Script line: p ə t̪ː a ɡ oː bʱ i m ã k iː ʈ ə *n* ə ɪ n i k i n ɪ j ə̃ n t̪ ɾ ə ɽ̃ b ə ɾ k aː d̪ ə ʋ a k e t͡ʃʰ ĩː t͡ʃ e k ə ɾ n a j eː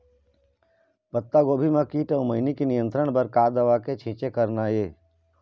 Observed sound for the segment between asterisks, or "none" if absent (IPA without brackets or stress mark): m